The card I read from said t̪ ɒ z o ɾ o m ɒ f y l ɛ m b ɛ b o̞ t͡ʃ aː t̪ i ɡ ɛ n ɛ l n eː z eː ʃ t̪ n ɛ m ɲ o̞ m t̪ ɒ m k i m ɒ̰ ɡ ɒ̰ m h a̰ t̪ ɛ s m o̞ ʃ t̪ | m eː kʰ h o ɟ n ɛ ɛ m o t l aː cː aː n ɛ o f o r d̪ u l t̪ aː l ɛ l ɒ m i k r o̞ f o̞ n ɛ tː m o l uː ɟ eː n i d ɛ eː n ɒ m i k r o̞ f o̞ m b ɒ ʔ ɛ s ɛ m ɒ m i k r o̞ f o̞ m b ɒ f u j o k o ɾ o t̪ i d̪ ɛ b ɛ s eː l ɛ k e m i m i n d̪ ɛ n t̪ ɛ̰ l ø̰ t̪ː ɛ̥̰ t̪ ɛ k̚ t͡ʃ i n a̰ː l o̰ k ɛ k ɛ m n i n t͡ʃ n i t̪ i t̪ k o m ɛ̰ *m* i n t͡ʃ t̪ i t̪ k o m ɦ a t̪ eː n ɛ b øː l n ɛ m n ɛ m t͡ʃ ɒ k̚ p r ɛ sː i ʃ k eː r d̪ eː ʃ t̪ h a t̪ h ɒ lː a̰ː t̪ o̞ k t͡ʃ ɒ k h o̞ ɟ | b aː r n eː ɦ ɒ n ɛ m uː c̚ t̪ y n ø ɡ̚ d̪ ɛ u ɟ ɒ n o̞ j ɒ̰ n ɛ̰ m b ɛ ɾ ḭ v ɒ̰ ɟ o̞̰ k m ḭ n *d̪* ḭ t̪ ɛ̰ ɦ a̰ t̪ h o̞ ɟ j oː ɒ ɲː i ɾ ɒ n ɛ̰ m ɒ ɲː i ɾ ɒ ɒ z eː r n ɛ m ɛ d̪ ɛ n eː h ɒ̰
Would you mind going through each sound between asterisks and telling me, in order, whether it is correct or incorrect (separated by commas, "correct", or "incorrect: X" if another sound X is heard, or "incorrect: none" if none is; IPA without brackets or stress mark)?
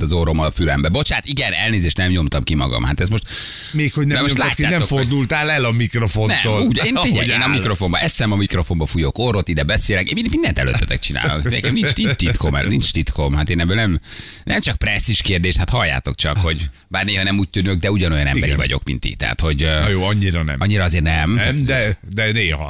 incorrect: n, incorrect: t̪